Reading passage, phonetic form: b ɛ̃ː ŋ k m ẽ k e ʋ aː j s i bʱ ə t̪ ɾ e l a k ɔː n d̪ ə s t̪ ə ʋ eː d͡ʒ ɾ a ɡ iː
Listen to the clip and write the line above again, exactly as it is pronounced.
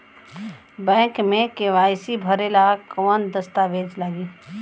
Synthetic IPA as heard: b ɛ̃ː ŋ k m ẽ k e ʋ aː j s i bʱ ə ɾ e l a k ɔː n d̪ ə s t̪ a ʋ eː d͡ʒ l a ɡ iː